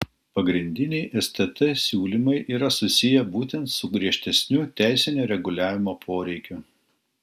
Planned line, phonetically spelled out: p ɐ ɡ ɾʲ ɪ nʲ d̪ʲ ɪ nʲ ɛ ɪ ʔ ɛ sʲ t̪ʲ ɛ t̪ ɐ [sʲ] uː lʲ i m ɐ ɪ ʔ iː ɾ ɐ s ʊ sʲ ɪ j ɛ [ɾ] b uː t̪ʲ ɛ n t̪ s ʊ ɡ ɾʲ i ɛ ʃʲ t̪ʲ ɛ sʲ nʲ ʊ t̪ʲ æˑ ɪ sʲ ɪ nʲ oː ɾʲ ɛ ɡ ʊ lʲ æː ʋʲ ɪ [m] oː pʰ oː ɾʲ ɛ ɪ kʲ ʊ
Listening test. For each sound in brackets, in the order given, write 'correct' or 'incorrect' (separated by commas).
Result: correct, incorrect, correct